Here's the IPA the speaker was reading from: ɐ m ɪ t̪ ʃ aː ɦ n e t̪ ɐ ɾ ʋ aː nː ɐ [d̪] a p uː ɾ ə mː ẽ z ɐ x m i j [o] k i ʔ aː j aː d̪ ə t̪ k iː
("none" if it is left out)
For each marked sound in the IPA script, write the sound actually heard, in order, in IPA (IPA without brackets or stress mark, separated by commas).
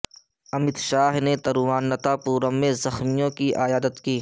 t̪, õ